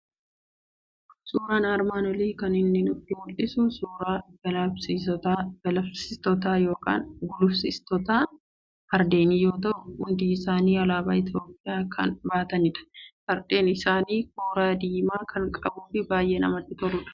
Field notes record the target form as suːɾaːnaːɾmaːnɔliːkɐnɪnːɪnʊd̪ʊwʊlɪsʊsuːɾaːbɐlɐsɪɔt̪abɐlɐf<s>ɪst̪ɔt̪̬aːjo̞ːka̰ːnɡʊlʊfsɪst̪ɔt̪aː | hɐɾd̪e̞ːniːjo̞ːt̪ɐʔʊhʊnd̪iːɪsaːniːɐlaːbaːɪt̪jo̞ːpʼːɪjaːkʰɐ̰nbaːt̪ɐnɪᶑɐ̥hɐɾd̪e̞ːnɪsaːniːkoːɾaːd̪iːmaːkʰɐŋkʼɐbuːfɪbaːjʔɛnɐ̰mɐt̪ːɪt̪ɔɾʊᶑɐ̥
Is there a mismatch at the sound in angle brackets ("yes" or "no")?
no